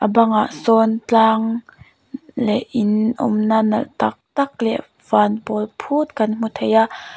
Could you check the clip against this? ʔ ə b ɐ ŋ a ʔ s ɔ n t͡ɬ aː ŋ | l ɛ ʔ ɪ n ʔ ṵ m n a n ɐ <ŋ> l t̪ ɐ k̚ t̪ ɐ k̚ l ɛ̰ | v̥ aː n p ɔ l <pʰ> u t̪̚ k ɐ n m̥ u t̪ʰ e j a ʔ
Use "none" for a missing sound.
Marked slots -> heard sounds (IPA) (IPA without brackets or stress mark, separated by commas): none, pʰ